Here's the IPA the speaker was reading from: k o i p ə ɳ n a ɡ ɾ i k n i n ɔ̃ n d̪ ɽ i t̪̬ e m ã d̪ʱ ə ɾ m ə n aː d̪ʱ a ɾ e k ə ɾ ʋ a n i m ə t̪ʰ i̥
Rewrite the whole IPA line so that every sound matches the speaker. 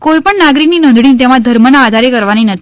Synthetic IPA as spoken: k o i p ə ɳ n a ɡ ɾ i k n i n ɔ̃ n d̪ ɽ i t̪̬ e m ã d̪ʱ ə ɾ m ə n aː d̪ʱ a ɾ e k ə ɾ ʋ a n i n ə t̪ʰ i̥